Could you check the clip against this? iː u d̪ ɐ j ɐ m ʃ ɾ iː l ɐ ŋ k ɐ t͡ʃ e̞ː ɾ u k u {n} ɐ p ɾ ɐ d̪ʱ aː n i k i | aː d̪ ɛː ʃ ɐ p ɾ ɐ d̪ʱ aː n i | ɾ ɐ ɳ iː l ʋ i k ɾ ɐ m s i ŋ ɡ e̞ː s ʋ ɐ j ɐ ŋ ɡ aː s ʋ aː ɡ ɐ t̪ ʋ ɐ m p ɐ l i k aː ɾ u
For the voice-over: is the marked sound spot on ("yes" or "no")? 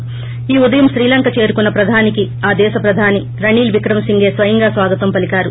no